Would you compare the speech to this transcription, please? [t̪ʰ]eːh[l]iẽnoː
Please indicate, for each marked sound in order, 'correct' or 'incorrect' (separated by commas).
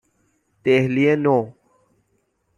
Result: incorrect, correct